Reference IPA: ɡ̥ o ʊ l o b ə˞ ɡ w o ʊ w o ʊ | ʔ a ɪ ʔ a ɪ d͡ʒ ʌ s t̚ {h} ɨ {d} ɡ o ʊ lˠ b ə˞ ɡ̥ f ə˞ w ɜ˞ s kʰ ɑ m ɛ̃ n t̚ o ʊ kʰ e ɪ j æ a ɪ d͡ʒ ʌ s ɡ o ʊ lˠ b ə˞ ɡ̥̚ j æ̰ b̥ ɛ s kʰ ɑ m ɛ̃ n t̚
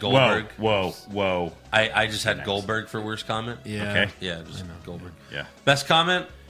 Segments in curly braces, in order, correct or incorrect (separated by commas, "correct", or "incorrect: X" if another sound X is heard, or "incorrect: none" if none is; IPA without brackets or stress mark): correct, correct